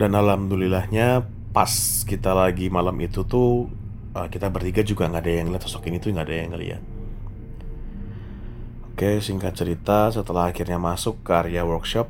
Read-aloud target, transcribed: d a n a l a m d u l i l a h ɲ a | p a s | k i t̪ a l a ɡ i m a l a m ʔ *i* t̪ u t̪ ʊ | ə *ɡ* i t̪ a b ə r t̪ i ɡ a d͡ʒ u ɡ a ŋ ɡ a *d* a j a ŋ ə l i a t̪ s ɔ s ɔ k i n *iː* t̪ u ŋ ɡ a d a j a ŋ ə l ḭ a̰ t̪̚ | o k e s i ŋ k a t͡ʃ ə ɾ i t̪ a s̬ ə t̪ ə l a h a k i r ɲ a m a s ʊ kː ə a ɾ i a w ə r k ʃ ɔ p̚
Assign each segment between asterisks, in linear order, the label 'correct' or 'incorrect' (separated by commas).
correct, incorrect, correct, incorrect